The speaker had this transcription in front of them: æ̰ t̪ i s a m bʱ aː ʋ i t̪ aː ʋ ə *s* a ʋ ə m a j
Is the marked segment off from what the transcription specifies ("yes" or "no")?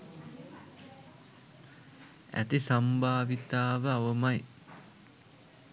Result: yes